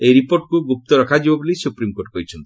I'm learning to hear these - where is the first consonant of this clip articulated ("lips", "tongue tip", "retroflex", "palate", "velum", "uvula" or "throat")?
tongue tip